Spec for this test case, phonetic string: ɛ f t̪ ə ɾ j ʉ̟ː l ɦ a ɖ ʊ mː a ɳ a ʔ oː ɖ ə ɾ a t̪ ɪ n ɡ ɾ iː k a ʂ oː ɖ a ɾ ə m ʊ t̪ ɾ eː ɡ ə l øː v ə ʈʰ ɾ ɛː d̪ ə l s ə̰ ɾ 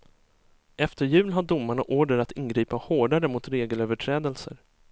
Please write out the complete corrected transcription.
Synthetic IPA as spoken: ɛ f t̪ ə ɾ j ʉ̟ː l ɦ a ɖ ʊ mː a ɳ a ʔ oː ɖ ə ɾ a t̪ ɪ n ɡ ɾ iː p a h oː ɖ a ɾ ə m ʊ t̪ ɾ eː ɡ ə l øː v ə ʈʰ ɾ ɛː d̪ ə l s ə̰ ɾ